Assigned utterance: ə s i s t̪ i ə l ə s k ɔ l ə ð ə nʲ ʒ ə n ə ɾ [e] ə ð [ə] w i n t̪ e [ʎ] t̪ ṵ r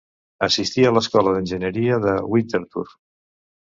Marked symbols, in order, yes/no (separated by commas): no, yes, no